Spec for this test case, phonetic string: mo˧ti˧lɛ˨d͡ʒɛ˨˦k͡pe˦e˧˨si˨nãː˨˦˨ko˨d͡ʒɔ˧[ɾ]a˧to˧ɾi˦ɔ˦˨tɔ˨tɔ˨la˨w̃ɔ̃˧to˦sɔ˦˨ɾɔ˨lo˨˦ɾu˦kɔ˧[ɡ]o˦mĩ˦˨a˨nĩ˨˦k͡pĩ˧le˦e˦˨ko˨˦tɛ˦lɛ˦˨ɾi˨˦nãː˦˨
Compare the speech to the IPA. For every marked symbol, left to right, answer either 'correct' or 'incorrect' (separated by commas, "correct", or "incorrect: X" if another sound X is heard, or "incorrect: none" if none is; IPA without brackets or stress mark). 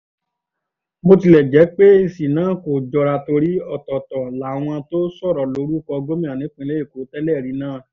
correct, correct